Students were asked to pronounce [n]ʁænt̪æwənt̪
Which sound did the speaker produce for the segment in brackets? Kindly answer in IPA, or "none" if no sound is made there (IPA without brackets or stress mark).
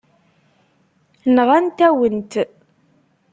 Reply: n